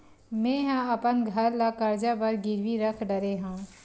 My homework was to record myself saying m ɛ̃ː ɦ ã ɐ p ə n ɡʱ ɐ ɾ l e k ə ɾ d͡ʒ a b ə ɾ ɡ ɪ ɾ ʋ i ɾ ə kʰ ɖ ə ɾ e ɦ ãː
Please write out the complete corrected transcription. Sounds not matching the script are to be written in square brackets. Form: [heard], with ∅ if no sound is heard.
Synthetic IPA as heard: m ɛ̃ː ɦ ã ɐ p ə n ɡʱ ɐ ɾ l [a] k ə ɾ d͡ʒ a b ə ɾ ɡ ɪ ɾ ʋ i ɾ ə kʰ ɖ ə ɾ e ɦ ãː